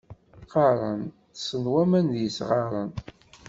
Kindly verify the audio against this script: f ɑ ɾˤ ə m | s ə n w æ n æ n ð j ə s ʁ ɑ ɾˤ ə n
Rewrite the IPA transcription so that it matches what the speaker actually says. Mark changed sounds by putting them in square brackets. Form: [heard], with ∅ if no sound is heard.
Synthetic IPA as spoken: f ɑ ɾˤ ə [n] | s ə n w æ [m] æ n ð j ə s ʁ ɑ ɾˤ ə n